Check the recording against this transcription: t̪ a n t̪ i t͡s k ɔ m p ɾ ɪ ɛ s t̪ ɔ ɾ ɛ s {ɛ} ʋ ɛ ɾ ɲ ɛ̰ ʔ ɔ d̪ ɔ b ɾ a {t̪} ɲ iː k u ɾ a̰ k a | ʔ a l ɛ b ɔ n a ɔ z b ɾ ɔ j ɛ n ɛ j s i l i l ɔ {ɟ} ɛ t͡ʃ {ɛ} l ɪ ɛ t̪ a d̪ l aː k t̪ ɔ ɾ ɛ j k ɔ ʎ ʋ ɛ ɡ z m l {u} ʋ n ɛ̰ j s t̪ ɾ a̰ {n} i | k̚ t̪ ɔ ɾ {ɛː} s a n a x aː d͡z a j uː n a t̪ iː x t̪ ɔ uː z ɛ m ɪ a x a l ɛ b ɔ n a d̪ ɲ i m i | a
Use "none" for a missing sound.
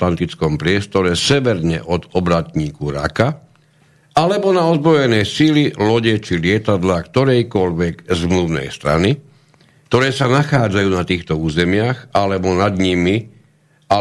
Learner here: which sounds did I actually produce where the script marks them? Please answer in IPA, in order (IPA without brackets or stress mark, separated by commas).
ɛ, t̪, ɟ, i, u, n, ɛː